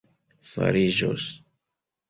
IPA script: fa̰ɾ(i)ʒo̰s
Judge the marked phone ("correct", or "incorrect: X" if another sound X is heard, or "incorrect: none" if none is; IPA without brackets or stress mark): correct